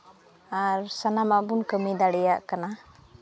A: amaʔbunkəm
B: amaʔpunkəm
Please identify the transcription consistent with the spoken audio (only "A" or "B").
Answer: A